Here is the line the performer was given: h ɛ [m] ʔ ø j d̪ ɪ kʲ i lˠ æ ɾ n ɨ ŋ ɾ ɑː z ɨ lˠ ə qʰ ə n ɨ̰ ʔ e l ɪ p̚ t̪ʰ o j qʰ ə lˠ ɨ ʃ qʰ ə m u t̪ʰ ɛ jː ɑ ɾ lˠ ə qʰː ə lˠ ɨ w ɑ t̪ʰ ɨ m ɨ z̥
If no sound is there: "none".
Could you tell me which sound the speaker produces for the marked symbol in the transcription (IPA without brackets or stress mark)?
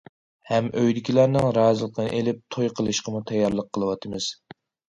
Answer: m